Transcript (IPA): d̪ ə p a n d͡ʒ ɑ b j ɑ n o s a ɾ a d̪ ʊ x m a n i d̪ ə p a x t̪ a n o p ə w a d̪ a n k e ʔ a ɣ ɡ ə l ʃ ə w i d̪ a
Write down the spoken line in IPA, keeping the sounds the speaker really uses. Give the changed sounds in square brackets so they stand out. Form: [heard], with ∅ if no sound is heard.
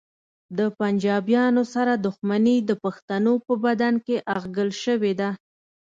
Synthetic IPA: d̪ ə p a n d͡ʒ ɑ b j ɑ n o s a ɾ a d̪ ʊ x m a n i d̪ ə p a x t̪ a n o p ə [b] a d̪ a n k e ʔ a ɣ ɡ ə l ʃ ə w [e] d̪ a